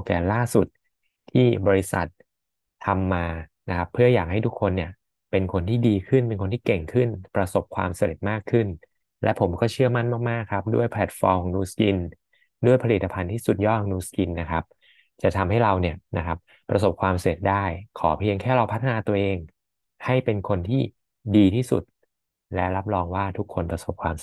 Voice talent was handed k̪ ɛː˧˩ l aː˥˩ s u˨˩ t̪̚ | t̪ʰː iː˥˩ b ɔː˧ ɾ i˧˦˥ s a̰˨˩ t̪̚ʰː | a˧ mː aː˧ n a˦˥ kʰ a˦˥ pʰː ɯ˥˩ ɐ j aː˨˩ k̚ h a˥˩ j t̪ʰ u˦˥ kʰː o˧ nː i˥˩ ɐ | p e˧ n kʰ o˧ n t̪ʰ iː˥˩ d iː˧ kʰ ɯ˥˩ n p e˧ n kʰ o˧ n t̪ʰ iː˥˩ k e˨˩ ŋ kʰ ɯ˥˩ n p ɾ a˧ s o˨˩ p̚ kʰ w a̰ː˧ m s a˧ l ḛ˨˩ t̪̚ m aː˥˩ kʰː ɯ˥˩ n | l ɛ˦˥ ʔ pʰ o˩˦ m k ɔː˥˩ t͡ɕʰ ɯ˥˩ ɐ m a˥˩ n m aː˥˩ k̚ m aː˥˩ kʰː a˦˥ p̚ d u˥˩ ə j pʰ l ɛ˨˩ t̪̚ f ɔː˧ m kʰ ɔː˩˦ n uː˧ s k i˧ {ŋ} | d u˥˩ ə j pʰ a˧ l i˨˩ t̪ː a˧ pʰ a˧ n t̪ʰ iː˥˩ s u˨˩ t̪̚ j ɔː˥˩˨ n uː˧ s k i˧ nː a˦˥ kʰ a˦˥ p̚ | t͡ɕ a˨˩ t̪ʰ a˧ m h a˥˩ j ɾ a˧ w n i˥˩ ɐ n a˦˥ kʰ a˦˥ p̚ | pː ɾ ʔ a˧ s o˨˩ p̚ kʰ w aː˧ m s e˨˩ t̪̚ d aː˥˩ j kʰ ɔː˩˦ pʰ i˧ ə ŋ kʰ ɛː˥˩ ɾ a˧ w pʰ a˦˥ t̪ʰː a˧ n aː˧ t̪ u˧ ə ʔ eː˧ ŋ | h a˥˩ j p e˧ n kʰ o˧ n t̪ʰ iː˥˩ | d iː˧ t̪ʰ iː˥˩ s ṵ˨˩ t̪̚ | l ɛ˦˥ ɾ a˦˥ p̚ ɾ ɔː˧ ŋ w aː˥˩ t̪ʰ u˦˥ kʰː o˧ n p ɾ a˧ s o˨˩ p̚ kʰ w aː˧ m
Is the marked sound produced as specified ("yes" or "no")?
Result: no